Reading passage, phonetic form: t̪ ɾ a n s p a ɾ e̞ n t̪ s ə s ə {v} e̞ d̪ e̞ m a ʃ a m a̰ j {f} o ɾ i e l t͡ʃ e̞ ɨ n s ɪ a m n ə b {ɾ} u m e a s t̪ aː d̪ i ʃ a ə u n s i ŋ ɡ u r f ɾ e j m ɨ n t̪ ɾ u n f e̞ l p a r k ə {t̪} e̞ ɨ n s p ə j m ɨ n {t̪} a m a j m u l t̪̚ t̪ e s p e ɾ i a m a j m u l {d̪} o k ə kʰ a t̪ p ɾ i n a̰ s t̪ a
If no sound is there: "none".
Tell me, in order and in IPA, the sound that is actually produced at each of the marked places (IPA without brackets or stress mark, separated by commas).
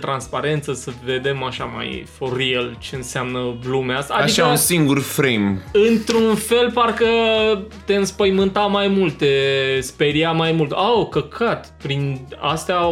v, f, l, t̪, t̪, t̪